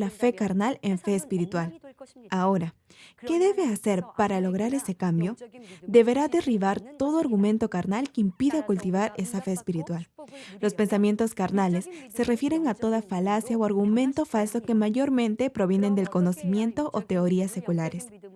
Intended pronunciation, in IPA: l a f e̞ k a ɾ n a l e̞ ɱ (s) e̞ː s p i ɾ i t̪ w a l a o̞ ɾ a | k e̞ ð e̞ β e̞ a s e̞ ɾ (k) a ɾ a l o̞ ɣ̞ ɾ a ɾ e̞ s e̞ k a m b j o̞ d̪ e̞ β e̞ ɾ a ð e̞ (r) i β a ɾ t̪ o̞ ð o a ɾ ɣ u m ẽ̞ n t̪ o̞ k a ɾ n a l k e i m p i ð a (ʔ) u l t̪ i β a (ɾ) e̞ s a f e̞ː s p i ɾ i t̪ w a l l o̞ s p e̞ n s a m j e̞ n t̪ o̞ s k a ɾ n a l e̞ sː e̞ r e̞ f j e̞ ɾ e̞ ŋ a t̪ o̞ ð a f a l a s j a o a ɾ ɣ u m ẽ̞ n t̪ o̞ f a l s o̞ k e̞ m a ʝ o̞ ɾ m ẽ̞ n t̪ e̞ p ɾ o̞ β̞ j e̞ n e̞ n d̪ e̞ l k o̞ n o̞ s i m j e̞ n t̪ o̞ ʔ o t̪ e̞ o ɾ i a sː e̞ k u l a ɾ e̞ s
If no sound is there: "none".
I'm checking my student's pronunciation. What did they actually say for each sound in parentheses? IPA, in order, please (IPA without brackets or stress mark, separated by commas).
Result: f, p, r, k, ɾ